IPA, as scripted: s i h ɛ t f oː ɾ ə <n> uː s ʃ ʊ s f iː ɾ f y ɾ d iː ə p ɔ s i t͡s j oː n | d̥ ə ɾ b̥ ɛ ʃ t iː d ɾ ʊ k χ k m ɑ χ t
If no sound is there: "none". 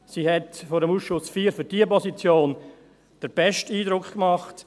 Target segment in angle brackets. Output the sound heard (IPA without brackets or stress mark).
m